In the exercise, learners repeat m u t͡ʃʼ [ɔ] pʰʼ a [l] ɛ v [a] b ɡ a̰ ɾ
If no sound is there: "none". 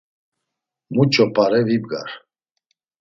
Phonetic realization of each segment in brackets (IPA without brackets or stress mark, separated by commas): ɔ, ɾ, i